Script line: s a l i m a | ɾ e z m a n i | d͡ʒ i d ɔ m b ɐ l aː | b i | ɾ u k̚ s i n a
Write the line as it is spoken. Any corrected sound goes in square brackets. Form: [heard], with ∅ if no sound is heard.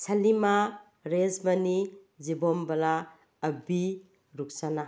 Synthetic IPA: s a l i m a | ɾ e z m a n i | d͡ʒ i [b] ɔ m b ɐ l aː | b i | ɾ u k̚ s [a] n a